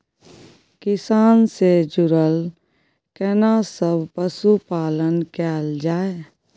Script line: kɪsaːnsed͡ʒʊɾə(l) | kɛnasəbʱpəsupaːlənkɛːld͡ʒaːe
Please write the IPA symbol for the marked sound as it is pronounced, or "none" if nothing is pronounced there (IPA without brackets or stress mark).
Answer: l